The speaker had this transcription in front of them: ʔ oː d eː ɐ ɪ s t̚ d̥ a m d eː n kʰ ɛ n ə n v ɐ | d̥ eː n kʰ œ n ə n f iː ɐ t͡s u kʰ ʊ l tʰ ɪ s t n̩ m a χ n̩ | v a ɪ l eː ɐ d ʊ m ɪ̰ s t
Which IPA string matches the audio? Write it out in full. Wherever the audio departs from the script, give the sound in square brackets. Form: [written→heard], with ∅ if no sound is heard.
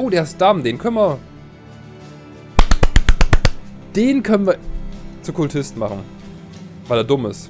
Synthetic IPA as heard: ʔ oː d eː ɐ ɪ s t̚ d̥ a m d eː n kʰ [ɛ→œ] n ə n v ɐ | d̥ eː n kʰ œ n ə n [f→v] iː ɐ t͡s u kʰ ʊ l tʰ ɪ s t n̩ m a χ n̩ | v a ɪ l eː ɐ d ʊ m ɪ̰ s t